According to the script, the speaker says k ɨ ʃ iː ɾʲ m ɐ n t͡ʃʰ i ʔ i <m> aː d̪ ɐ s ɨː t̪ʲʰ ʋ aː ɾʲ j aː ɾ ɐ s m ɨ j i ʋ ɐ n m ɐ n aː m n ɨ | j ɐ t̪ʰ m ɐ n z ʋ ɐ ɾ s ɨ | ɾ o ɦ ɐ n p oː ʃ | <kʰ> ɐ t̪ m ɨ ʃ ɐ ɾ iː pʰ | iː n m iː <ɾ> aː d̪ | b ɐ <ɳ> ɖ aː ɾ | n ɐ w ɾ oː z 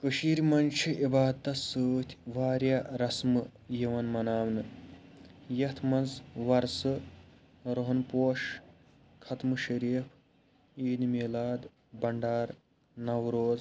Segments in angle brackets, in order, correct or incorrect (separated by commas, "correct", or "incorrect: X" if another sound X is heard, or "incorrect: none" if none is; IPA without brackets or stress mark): incorrect: b, correct, incorrect: l, correct